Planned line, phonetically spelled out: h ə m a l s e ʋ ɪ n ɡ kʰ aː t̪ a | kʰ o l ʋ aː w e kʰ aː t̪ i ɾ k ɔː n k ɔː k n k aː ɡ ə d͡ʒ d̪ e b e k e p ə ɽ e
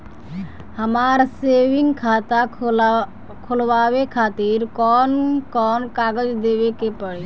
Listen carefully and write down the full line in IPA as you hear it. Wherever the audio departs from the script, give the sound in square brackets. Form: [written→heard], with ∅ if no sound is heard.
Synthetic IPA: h ə m a [l→ɾ] s e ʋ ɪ [n→ŋ] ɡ kʰ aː t̪ a | kʰ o l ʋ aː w e kʰ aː t̪ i ɾ k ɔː n k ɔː [k→∅] n k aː ɡ ə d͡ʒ d̪ e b e k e p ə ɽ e